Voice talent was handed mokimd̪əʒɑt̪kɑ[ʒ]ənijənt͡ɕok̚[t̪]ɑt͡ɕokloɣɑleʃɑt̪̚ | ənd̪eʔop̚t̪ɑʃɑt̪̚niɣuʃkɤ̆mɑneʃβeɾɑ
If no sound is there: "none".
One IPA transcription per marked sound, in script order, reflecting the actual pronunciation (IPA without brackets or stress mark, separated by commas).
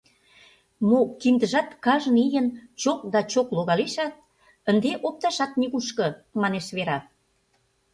ʒ, d̪